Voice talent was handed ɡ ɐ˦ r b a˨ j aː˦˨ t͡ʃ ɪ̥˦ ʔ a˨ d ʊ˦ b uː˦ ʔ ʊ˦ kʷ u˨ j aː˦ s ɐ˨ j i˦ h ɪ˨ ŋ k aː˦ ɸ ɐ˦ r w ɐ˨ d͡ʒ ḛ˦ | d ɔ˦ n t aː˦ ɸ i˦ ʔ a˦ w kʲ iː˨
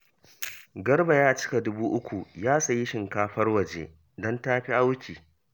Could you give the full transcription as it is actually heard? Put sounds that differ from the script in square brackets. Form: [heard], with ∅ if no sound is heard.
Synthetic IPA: ɡ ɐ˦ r b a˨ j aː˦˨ t͡ʃ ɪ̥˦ [k] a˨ d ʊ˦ b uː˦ ʔ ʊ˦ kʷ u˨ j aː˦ s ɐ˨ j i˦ [ʃ] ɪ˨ ŋ k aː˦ ɸ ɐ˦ r w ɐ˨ d͡ʒ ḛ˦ | d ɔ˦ n t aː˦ ɸ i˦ ʔ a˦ w kʲ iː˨